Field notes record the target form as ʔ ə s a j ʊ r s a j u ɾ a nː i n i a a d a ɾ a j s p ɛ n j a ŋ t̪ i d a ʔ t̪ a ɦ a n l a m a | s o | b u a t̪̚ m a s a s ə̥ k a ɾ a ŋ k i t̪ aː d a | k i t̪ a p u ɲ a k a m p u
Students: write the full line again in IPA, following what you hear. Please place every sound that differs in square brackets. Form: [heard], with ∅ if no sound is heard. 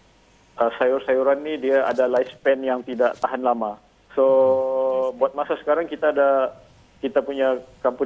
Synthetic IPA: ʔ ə s a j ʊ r s a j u ɾ a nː i [d] i a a d a [l] a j s p ɛ n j a ŋ t̪ i d a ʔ t̪ a ɦ a n l a m a | s o | b u a t̪̚ m a s a s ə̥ k a ɾ a ŋ k i t̪ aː d a | k i t̪ a p u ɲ a k a m p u